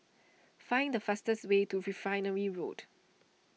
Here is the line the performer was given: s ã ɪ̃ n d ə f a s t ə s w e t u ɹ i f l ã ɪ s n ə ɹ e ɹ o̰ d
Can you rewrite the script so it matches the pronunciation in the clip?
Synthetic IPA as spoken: f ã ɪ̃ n d ə f a s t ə s w e t u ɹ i f ɹ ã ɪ n ə ɹ i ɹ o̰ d